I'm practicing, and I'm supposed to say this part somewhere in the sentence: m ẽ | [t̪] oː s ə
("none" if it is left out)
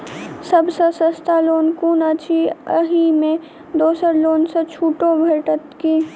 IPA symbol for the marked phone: d̪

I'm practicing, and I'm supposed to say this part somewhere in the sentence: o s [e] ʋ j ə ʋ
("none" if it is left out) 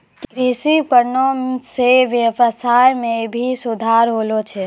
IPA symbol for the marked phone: e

